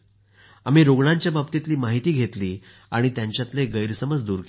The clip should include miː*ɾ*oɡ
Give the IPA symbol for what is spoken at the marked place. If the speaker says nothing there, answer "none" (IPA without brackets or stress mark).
ɾ